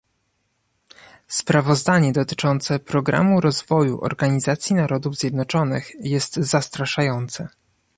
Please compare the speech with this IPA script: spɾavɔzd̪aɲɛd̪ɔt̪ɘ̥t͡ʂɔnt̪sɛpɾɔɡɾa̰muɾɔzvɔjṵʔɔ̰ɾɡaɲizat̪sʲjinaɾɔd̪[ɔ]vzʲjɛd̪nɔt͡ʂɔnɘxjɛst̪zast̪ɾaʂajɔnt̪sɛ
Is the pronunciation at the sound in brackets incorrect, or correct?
incorrect